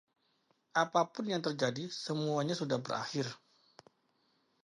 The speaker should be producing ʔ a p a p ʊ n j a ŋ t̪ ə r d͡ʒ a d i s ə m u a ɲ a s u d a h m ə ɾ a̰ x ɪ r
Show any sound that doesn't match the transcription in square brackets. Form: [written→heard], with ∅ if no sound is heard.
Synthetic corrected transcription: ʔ a p a p ʊ n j a ŋ t̪ ə r d͡ʒ a d i s ə m u a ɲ a s u d a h [m→b] ə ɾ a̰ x ɪ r